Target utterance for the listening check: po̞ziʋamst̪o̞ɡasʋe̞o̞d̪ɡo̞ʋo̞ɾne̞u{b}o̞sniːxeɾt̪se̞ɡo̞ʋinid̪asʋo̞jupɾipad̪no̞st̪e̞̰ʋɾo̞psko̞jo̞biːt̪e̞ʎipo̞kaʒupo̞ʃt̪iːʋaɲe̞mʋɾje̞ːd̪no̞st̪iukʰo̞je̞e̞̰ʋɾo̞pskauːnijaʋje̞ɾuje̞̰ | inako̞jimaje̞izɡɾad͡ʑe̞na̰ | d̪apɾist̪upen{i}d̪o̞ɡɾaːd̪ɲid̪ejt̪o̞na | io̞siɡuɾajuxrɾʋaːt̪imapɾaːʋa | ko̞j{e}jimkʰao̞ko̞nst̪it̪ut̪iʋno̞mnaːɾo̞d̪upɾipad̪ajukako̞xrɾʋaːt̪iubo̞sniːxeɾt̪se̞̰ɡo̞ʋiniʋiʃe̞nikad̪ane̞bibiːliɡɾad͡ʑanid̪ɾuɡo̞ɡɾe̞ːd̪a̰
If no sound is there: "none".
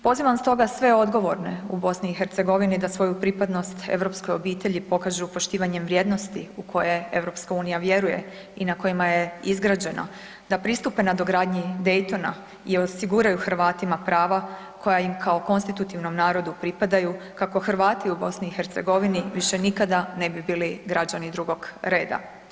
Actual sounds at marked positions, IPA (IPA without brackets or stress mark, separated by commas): b, a, a